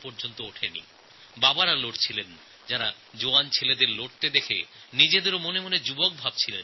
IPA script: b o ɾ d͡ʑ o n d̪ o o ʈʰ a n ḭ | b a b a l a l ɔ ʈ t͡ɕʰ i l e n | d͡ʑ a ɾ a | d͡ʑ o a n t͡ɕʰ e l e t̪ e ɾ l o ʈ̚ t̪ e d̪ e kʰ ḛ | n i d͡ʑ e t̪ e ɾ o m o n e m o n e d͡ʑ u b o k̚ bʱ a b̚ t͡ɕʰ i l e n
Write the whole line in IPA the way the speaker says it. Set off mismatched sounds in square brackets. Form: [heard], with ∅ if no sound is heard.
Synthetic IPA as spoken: [p] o ɾ d͡ʑ o n [t̪] o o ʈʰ [e] n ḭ | b a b a [ɾ] a l [o] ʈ t͡ɕʰ i l e n | d͡ʑ a ɾ a | d͡ʑ o a n t͡ɕʰ e l e [d̪] e ɾ l o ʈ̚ t̪ e d̪ e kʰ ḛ | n i d͡ʑ e [d̪] e ɾ o m o n e m o n e d͡ʑ u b o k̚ bʱ a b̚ t͡ɕʰ i l e n